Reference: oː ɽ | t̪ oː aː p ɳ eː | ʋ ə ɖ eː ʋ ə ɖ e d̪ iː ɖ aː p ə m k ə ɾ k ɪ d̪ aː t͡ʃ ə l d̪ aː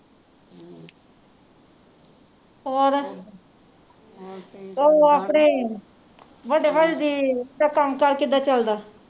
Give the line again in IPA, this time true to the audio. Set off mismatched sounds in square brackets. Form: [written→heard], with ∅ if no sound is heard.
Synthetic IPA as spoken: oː [ɽ→ɾ] | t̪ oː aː p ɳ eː | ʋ ə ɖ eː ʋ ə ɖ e d̪ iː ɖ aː [p→k] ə m k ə ɾ k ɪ d̪ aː t͡ʃ ə l d̪ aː